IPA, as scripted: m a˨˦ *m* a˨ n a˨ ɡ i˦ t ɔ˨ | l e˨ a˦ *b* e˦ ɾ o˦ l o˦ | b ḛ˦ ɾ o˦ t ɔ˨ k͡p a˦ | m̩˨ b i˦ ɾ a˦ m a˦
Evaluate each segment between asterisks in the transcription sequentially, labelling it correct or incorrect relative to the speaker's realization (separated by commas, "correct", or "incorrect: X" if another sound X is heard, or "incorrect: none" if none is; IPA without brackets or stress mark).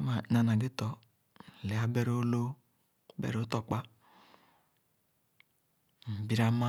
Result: incorrect: n, correct